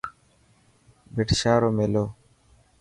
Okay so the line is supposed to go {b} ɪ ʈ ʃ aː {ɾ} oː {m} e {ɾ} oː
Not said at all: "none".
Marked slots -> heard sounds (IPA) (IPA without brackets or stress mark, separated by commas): b, ɾ, m, l